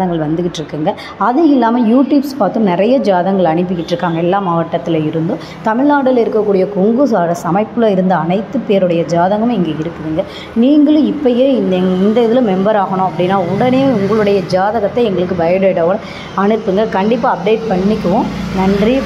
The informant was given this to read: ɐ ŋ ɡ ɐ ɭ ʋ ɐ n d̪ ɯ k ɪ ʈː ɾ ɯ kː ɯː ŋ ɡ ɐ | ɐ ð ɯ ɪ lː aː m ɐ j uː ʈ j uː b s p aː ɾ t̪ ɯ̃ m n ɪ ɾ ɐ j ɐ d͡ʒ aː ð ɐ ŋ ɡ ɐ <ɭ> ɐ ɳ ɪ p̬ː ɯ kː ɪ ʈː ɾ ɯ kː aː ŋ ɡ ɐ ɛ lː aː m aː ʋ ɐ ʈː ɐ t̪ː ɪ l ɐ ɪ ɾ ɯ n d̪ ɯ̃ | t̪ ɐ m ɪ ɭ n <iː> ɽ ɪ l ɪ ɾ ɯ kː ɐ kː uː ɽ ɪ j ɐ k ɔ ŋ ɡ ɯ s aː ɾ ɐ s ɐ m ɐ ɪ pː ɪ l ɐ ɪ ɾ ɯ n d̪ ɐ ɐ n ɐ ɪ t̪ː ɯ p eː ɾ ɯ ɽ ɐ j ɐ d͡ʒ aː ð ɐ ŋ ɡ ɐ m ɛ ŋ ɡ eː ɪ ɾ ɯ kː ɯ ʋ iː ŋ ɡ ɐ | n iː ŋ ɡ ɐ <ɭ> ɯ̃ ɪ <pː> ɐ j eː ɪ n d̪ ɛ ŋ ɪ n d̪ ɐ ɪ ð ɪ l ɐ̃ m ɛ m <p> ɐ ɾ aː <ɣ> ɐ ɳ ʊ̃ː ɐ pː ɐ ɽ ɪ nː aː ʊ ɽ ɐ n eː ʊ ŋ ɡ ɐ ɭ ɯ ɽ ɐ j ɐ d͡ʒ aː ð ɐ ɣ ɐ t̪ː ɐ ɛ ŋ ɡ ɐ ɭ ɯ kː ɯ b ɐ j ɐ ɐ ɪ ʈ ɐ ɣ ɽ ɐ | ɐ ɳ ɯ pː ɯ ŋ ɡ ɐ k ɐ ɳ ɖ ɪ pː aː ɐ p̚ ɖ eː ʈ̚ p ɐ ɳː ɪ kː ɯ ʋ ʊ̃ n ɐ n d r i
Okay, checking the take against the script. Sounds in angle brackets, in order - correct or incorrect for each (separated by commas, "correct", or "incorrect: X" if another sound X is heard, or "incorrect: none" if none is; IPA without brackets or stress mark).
correct, incorrect: aː, correct, correct, incorrect: b, correct